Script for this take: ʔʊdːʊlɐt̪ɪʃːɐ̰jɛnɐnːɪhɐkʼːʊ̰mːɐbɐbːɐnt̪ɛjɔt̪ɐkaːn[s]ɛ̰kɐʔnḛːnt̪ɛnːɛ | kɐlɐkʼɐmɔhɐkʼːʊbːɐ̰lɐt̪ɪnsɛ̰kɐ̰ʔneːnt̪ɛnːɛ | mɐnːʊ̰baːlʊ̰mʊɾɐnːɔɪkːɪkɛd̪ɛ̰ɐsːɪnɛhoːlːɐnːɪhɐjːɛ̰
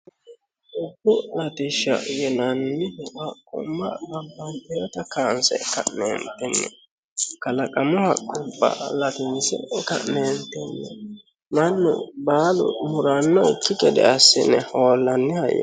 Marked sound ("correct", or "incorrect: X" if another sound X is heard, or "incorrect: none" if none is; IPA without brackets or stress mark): correct